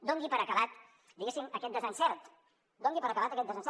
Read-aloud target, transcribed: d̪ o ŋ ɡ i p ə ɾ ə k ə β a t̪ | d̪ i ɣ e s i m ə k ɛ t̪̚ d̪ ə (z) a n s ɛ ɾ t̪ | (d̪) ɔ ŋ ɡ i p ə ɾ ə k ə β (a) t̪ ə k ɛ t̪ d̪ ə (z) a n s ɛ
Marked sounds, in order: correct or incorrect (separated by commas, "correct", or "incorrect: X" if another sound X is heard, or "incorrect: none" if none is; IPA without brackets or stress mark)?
correct, correct, correct, correct